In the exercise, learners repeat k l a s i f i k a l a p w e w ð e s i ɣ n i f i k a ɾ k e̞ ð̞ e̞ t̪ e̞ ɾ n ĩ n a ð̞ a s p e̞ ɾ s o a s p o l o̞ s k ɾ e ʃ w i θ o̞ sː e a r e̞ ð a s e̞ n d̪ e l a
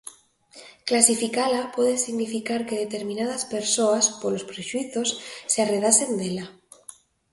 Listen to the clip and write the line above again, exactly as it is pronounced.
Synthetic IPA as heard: k l a s i f i k a l a p w e ð e s i ɣ n i f i k a ɾ k e̞ ð̞ e̞ t̪ e̞ ɾ m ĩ n a ð̞ a s p e̞ ɾ s o a s p o l o̞ s p ɾ e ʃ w i θ o̞ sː e a r e̞ ð a s e̞ n d̪ e l a